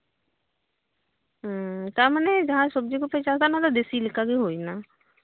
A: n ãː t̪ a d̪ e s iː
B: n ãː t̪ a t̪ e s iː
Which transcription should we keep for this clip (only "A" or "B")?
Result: A